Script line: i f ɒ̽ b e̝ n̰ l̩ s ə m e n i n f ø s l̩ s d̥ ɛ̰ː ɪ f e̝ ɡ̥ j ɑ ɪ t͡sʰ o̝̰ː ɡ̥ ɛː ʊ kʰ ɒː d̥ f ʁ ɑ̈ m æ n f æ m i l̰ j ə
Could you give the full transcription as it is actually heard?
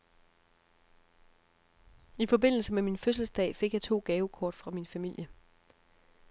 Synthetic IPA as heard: i f ɒ̽ b e̝ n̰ l̩ s ə m e m i n f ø s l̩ s d̥ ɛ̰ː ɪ f e̝ ɡ̥ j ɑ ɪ t͡sʰ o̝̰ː ɡ̥ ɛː ʊ kʰ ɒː d̥ f ʁ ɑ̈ m i n f æ m i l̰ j ə